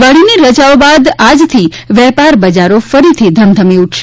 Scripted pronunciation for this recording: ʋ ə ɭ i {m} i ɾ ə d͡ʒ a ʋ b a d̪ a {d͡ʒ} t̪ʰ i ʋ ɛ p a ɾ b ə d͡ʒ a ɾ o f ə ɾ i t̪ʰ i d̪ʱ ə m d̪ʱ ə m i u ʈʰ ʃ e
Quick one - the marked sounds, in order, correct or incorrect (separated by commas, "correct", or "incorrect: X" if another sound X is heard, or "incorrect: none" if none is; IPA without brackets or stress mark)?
incorrect: n, correct